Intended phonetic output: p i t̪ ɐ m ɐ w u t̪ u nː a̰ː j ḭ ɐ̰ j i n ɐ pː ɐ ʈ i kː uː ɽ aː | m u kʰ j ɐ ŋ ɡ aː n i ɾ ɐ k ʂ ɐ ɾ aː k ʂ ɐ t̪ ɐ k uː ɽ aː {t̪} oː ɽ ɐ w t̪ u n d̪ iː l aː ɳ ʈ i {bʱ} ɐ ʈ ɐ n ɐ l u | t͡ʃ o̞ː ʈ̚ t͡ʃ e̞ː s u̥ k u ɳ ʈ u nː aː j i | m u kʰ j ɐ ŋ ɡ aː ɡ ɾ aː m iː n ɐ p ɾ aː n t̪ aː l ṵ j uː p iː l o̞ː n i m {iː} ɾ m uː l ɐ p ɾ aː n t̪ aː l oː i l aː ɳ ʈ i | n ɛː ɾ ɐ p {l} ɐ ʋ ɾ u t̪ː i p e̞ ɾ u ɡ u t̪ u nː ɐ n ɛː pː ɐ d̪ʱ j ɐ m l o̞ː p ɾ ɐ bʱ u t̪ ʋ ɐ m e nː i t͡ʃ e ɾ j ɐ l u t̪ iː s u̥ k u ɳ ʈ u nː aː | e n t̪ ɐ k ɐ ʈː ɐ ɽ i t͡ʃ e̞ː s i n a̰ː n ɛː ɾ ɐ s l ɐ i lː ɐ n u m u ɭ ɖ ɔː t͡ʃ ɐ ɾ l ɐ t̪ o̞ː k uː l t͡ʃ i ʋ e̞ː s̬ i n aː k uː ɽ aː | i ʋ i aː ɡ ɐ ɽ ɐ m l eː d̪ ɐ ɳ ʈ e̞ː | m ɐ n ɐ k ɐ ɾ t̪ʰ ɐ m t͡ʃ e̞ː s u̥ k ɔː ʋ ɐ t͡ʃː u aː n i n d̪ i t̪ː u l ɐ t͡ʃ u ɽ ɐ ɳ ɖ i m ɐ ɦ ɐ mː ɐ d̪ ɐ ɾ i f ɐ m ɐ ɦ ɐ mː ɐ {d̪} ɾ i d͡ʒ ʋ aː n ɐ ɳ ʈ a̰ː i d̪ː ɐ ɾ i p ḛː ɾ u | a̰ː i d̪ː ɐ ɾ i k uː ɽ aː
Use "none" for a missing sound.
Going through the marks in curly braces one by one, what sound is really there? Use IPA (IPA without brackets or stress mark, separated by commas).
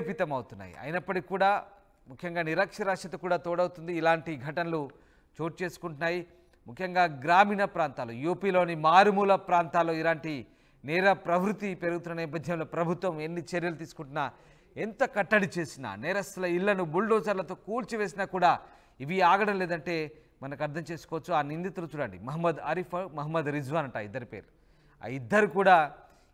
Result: t̪, ɡʱ, aː, ɾ, d̪